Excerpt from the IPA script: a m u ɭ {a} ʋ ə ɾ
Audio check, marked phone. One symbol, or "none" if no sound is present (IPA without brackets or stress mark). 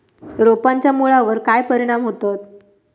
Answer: a